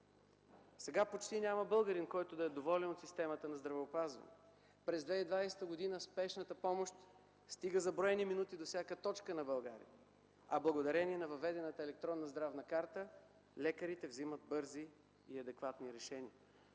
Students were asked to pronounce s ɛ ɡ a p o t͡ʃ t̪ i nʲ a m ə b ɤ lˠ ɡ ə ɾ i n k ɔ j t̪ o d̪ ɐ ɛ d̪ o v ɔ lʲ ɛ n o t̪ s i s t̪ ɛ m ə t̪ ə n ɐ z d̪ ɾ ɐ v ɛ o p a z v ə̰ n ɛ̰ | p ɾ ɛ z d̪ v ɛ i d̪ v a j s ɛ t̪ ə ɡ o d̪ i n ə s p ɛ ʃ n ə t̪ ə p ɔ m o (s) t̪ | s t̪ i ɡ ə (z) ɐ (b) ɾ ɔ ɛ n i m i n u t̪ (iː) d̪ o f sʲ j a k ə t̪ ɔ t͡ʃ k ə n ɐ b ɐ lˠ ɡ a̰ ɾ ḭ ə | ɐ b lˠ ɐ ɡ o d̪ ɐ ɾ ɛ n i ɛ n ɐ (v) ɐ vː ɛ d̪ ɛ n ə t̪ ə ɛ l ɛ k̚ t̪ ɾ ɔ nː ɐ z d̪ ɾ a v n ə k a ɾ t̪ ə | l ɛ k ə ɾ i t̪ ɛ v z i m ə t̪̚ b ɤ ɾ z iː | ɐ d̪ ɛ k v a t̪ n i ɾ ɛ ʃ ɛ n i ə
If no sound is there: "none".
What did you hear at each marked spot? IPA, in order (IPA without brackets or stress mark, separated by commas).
ʃ, z, b, i, v